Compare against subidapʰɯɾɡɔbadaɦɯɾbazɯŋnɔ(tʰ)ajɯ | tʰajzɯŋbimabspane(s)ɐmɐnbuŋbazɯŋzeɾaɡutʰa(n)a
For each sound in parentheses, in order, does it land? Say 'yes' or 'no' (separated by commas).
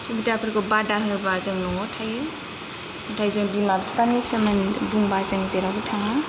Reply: yes, yes, no